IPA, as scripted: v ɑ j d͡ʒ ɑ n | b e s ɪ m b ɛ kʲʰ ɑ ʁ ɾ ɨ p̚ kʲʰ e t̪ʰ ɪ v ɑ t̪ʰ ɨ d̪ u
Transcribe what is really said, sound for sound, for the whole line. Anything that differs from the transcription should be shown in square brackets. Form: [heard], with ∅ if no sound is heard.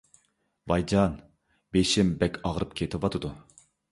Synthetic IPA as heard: v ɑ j d͡ʒ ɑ n | b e [ʃ] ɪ m b ɛ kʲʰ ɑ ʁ ɾ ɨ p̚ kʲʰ e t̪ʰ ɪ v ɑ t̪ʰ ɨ d̪ u